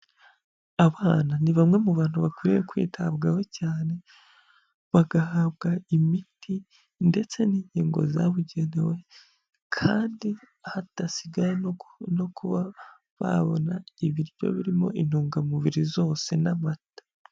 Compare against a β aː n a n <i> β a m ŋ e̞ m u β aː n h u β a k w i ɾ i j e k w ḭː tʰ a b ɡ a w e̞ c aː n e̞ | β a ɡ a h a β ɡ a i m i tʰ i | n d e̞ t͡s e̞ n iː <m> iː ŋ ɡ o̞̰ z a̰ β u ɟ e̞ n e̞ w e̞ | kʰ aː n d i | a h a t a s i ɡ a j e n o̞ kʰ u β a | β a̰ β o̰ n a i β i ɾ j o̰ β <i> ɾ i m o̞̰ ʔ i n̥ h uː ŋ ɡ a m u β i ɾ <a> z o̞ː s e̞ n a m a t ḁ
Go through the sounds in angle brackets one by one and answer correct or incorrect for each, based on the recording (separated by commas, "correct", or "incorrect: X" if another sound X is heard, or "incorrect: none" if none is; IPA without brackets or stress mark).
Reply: correct, incorrect: ɲ, correct, incorrect: i